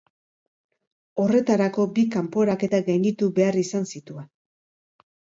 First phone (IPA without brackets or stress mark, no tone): o̞